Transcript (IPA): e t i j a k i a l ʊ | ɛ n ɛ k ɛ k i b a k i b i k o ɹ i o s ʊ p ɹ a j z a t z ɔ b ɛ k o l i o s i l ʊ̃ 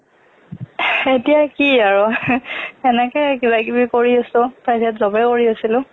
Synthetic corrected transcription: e t i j a k i a ɹ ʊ | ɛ n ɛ k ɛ k i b a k i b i k o ɹ i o s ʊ p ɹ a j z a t z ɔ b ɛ k o ɹ i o s i l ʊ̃